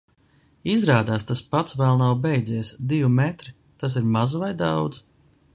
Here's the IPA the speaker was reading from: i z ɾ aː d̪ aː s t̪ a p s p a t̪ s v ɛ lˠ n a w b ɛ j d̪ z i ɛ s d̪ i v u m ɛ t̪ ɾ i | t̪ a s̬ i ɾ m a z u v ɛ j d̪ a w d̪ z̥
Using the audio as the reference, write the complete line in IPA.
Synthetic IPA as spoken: i z ɾ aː d̪ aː s t̪ a s p a t̪ s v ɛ lˠ n a w b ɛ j d̪ z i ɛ s d̪ i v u m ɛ t̪ ɾ i | t̪ a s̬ i ɾ m a z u v a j d̪ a w d̪ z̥

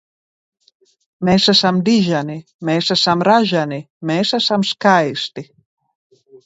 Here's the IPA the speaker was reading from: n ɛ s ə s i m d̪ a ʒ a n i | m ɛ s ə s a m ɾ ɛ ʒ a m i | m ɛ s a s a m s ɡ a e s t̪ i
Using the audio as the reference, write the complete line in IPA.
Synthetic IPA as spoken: m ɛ s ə s a m d̪ i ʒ a n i | m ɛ s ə s a m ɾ a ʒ a n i | m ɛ s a s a m s k a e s t̪ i

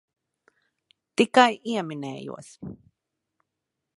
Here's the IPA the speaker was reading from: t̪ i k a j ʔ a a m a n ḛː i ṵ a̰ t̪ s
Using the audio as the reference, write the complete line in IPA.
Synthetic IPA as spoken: t̪ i k a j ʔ i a m i n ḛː j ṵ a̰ s

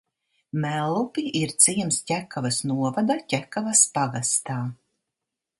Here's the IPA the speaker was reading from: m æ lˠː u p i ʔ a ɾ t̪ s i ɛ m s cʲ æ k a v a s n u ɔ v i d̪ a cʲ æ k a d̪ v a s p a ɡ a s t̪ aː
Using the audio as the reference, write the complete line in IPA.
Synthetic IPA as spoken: m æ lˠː u p i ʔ i ɾ t̪ s i ɛ m s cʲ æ k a v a s n u ɔ v a d̪ a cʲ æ k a v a s p a ɡ a s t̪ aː

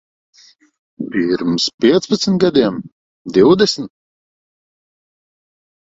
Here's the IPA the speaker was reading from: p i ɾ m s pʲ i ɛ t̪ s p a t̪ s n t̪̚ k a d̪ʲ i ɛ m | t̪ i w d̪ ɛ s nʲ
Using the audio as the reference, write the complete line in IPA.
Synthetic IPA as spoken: p i ɾ m s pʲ i ɛ t̪ s p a t̪ s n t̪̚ ɡ a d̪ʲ i ɛ m | d̪ i w d̪ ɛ s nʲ

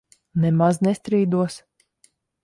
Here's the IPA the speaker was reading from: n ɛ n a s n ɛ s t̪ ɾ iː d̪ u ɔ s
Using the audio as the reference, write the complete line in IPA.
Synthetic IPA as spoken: n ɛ m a z n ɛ s t̪ ɾ iː d̪ u ɔ s

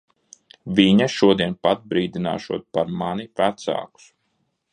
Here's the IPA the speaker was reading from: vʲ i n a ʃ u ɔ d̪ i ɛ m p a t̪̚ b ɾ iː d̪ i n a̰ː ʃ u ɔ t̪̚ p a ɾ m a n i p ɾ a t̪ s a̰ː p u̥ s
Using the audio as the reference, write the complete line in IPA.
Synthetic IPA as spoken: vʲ i ɲ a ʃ u ɔ d̪ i ɛ n p a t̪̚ b ɾ iː d̪ i n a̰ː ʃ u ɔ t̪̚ p a ɾ m a n i p ɾ a t̪ s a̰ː k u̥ s

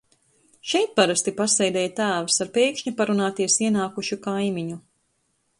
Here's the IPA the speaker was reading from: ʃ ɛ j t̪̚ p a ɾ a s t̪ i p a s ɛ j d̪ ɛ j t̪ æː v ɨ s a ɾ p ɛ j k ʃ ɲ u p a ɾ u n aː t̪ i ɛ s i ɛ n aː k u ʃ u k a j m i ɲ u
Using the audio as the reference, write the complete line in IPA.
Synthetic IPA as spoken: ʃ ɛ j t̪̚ p a ɾ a s t̪ i p a s ɛ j d̪ ɛ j t̪ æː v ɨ s a ɾ p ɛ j k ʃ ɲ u p a ɾ u n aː t̪ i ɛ s i ɛ n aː k u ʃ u k a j m i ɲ u

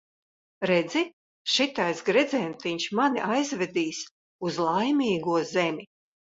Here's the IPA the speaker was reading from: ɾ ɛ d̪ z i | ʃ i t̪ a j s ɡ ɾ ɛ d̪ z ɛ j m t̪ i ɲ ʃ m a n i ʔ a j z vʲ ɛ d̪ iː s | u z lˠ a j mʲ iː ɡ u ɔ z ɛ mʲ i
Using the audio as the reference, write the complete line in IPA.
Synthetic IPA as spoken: ɾ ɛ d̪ z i | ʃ i t̪ a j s ɡ ɾ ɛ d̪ z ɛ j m t̪ i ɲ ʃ m a n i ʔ a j z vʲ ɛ d̪ iː s | u z lˠ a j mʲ iː ɡ u ɔ z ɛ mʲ i

